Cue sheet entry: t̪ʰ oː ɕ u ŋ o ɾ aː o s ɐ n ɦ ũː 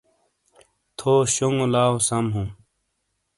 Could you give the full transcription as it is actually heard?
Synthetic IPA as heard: t̪ʰ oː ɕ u ŋ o l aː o s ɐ m ɦ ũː